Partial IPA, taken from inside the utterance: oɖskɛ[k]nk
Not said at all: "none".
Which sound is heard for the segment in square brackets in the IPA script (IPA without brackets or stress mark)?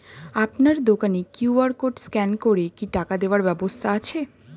none